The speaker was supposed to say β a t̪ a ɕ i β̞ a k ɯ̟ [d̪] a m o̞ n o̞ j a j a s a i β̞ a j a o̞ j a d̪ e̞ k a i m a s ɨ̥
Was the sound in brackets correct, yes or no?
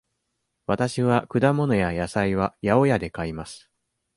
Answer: yes